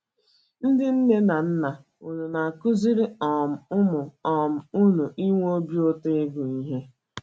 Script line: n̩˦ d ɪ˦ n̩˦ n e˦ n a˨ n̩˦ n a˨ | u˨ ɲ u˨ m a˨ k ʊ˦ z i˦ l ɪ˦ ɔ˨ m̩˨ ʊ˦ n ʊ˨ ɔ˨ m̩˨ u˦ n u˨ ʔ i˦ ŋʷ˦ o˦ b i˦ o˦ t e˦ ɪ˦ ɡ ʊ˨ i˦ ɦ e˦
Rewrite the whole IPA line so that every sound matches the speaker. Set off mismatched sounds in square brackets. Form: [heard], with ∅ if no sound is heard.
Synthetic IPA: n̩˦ d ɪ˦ n̩˦ n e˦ n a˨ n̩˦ n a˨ | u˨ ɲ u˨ [n] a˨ k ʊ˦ z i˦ [ɾ] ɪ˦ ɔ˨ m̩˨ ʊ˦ [m] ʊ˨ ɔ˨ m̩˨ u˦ n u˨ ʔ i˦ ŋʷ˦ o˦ b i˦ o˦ t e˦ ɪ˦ ɡ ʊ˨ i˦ ɦ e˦